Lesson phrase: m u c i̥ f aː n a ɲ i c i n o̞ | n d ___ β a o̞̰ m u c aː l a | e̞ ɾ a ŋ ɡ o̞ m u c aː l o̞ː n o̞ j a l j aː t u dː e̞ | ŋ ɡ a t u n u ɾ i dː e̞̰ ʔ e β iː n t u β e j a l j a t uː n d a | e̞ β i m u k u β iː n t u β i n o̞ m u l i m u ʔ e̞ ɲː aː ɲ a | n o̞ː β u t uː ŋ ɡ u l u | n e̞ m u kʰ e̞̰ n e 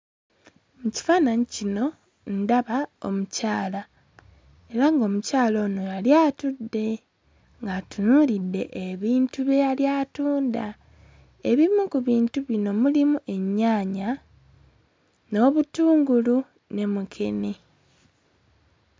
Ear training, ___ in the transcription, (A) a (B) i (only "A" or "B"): A